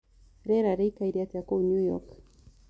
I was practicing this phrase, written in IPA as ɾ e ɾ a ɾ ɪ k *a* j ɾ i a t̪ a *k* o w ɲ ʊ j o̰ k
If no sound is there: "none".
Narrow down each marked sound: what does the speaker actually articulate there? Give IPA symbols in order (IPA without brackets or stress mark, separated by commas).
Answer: a, k